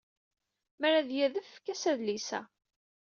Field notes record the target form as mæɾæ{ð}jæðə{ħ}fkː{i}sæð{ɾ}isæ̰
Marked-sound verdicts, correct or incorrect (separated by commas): correct, incorrect, incorrect, incorrect